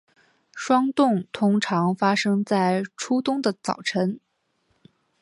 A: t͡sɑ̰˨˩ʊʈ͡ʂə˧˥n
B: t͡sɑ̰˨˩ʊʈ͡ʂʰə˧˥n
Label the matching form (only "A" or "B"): B